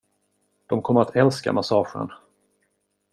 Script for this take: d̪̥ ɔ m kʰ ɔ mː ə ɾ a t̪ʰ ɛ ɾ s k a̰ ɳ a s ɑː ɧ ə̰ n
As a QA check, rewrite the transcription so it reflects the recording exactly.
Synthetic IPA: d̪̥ ɔ m kʰ ɔ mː ə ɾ a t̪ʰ ɛ l s k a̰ m a s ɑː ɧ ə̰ n